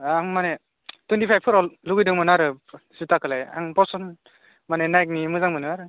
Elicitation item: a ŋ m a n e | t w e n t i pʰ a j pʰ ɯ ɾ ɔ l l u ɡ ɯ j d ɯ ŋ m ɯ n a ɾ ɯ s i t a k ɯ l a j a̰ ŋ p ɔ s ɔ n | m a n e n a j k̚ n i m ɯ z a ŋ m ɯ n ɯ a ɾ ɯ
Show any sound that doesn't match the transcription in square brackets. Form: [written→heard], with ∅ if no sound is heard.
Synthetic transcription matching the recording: a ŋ m a n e | t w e n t i pʰ a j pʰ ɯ ɾ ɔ l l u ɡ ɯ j d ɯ ŋ m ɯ n a ɾ ɯ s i t a k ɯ l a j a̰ ŋ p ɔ s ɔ n | m a n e n a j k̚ n i m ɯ z a ŋ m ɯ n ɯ a ɾ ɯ